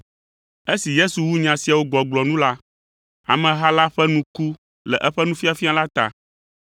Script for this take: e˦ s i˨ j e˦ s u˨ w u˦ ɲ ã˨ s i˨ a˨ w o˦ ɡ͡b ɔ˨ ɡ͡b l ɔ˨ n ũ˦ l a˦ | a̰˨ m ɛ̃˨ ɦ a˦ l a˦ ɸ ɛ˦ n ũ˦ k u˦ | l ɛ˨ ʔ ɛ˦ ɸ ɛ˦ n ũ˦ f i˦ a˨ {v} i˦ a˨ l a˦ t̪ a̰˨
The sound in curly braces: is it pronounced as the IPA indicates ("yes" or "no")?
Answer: no